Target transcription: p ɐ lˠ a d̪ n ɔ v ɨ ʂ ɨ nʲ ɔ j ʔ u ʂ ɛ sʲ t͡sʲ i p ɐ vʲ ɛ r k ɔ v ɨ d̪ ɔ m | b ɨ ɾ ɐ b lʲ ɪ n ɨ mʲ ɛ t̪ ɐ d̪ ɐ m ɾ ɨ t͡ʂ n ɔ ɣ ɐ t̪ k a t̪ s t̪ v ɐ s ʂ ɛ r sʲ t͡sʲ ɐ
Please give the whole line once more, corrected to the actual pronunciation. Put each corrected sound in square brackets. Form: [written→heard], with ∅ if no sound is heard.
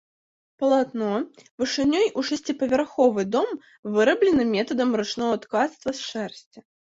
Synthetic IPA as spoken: p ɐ lˠ a [d̪→t̪] n ɔ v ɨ ʂ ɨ nʲ ɔ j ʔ u ʂ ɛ sʲ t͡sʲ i p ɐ vʲ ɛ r [k→x] ɔ v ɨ d̪ ɔ m | [b→v] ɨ ɾ ɐ b lʲ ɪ n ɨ mʲ ɛ t̪ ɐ d̪ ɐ m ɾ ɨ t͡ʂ n ɔ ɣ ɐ t̪ k a t̪ s t̪ v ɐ s ʂ ɛ r sʲ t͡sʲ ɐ